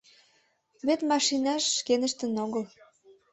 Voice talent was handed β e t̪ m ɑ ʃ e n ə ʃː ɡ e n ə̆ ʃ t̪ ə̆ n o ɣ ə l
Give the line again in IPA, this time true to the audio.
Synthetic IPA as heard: β e t̪ m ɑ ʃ i n ɑ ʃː k e n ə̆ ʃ t̪ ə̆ n o ɣ ə l